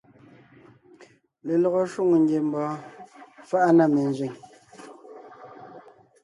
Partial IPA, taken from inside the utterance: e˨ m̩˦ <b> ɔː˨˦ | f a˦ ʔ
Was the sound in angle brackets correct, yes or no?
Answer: yes